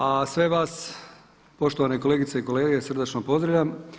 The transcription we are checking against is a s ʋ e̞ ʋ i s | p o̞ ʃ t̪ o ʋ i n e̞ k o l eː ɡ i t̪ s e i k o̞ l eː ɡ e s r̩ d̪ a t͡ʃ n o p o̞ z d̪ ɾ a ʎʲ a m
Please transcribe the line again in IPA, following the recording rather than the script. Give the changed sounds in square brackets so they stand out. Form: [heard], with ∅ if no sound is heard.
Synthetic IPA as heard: a s ʋ e̞ ʋ [a] s | p o̞ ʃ t̪ o ʋ [a] n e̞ k o l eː ɡ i t̪ s e i k o̞ l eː ɡ e s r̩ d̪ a t͡ʃ n o p o̞ z d̪ ɾ a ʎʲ a m